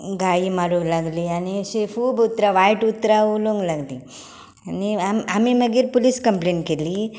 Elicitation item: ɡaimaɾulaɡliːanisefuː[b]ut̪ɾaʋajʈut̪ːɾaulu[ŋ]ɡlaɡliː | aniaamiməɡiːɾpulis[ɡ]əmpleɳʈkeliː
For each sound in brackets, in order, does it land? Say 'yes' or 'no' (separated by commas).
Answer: yes, yes, no